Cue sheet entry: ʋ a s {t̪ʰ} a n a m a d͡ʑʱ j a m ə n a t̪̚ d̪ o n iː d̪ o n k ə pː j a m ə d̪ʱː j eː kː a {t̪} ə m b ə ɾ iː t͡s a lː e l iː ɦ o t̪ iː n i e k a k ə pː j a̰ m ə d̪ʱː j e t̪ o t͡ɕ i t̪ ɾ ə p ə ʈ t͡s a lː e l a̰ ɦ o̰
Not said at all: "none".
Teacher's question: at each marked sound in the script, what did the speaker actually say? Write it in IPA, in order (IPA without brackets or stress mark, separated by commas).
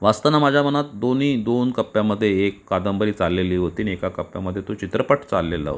t̪, d̪